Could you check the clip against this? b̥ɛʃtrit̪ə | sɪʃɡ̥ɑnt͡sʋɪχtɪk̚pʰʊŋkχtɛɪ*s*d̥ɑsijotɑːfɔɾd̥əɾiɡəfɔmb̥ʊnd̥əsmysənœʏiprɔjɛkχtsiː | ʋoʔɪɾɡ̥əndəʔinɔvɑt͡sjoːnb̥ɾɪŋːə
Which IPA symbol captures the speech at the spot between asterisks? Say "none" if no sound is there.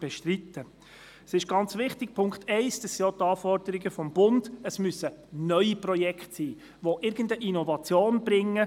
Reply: s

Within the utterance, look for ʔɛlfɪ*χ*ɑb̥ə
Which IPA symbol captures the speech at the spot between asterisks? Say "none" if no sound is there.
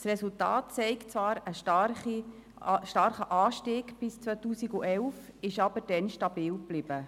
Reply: ʃ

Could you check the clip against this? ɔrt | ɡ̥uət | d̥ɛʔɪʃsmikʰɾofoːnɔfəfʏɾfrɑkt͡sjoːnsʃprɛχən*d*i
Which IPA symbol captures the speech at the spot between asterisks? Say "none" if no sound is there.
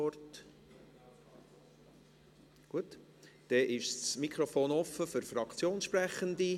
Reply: d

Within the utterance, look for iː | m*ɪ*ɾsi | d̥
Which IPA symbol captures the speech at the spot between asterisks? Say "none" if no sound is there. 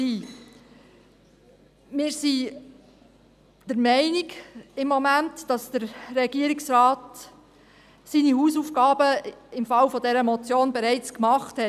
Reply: ɪː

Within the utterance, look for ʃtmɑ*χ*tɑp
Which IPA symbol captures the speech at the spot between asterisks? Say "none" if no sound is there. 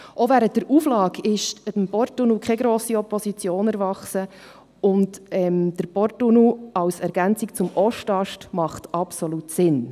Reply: χ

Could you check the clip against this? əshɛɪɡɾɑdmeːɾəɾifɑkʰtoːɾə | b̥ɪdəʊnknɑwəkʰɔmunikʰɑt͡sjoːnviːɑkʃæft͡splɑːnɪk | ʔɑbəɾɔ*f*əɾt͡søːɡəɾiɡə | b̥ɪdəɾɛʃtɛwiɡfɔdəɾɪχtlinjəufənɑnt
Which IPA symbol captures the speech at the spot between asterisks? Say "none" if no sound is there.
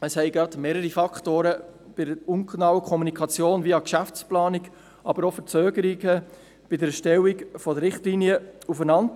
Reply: f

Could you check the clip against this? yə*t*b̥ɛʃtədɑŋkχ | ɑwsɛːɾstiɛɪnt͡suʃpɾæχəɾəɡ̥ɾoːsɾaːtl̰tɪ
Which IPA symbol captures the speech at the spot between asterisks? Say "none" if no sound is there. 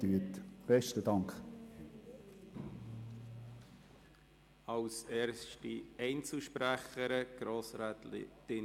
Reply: t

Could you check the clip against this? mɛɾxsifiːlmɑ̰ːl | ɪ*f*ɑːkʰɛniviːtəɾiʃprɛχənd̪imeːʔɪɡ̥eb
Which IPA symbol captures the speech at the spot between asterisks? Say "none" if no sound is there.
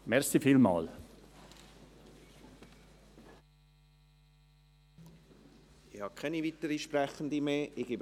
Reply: h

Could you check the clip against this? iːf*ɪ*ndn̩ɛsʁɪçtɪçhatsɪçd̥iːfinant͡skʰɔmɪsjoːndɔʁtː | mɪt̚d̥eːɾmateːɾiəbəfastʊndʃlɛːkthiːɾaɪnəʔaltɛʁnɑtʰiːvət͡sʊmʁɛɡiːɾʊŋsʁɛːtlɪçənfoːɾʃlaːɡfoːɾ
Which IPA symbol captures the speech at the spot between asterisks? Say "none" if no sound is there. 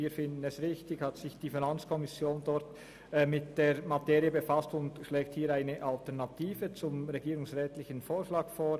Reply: ɪ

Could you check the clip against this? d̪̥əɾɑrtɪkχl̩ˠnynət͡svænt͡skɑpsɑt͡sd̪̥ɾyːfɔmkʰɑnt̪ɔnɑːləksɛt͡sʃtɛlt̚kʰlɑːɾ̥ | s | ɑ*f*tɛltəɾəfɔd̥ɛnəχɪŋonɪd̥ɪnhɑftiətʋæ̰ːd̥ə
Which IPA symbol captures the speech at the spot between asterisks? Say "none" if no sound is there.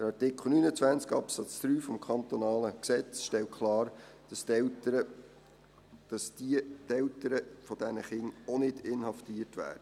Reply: s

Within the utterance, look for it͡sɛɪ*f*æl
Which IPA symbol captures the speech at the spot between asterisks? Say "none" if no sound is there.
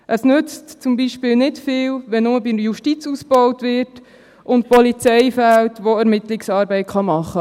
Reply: f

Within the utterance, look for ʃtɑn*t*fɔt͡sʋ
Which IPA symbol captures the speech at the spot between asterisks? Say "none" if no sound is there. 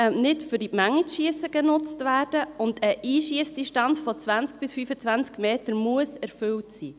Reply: t͡s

